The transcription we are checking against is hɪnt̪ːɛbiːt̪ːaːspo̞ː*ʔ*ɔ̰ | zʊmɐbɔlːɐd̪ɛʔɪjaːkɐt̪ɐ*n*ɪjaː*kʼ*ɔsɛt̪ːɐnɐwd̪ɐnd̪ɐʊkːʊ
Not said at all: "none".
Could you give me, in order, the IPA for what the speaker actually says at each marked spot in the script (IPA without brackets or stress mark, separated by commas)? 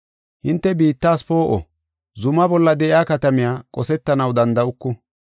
ʔ, m, kʼ